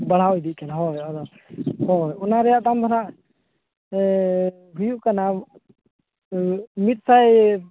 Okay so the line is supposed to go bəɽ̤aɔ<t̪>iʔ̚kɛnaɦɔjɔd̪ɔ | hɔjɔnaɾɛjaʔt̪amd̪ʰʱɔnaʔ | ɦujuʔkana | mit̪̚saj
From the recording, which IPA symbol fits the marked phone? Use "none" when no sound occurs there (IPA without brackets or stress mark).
d̪